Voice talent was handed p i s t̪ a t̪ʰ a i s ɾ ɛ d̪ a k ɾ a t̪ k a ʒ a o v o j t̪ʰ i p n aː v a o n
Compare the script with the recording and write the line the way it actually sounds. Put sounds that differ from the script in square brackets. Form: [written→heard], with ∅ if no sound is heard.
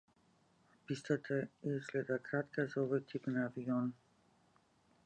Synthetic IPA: p i s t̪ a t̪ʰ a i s [ɾ→l] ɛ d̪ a k ɾ a t̪ k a [ʒ→z] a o v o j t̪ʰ i p n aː v [a→i] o n